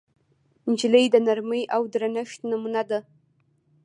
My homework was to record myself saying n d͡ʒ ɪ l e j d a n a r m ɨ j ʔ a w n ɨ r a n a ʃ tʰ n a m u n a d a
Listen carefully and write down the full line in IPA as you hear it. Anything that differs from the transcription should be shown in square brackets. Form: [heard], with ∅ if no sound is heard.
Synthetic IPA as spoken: n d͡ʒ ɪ l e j d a n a r m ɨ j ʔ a w [d] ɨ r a n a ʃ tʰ n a m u n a d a